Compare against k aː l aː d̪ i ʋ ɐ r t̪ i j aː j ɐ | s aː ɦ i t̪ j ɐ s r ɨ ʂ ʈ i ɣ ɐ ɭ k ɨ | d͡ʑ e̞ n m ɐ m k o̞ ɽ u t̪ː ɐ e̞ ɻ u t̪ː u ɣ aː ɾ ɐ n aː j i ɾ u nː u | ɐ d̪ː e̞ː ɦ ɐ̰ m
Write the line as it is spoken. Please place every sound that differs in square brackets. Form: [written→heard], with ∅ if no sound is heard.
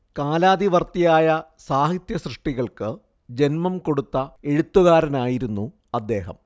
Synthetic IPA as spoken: k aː l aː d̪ i ʋ ɐ r t̪ i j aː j ɐ | s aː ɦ i t̪ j ɐ s r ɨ ʂ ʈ i ɣ ɐ ɭ k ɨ | d͡ʑ e̞ n m ɐ m k o̞ ɽ u t̪ː ɐ e̞ ɻ u t̪ː u ɣ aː ɾ ɐ n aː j i ɾ u nː u | ɐ d̪ː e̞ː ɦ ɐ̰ m

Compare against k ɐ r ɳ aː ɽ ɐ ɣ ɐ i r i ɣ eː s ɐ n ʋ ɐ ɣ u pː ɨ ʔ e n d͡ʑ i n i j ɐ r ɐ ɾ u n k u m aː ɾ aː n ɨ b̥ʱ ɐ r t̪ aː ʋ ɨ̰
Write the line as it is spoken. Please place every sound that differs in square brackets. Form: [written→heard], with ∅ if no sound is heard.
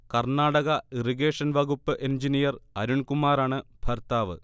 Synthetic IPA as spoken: k ɐ r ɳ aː ɽ ɐ ɣ ɐ i r i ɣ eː [s→ʂ] ɐ n ʋ ɐ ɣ u pː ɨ ʔ e n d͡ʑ i n i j ɐ r ɐ ɾ u [n→ɳ] k u m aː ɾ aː [n→ɳ] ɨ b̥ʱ ɐ r t̪ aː ʋ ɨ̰

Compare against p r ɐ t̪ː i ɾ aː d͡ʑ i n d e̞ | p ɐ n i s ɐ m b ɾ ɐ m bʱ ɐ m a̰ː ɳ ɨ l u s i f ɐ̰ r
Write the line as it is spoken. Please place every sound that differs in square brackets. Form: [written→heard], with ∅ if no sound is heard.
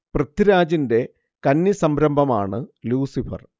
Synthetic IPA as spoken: p r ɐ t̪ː i ɾ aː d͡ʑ i n d e̞ | [p→k] ɐ [n→nː] i s ɐ m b ɾ ɐ m bʱ ɐ m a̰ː ɳ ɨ l [u→uː] s i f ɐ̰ r

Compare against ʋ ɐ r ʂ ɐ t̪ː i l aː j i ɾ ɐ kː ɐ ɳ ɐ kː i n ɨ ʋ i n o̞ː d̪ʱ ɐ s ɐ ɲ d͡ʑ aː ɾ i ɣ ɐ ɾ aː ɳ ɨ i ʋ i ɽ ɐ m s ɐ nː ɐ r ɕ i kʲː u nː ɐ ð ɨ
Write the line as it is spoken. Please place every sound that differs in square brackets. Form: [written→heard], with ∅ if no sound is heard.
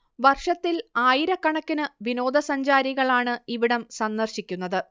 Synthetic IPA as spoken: ʋ ɐ r ʂ ɐ t̪ː i l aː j i ɾ ɐ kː ɐ ɳ ɐ kː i n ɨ ʋ i n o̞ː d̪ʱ ɐ s ɐ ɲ d͡ʑ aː ɾ i ɣ ɐ [ɾ→ɭ] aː ɳ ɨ i ʋ i ɽ ɐ m s ɐ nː ɐ r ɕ i kʲː u nː ɐ ð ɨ

